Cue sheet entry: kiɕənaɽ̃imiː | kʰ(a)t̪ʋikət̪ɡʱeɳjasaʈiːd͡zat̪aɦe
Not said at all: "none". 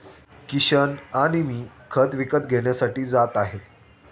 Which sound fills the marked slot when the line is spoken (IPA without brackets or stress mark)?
ə